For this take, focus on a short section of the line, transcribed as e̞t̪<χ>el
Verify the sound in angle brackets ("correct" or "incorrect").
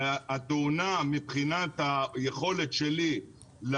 incorrect